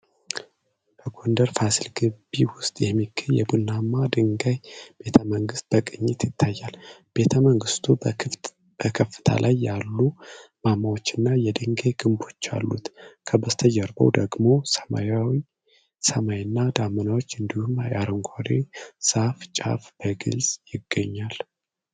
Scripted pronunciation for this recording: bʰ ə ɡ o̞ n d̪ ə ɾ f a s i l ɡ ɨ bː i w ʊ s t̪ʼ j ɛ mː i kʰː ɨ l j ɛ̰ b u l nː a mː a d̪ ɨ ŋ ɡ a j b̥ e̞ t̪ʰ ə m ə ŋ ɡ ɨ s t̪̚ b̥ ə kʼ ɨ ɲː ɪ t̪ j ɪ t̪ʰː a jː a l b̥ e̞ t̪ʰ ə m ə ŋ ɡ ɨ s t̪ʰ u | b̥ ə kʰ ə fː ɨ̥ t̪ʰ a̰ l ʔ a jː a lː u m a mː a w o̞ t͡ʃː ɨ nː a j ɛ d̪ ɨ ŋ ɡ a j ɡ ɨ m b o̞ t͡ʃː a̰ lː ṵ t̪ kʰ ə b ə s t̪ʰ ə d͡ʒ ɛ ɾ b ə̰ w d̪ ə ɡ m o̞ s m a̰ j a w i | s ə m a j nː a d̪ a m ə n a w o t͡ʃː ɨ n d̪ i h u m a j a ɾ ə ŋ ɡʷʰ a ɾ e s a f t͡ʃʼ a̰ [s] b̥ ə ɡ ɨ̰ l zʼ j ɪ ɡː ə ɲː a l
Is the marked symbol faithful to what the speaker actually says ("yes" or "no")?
no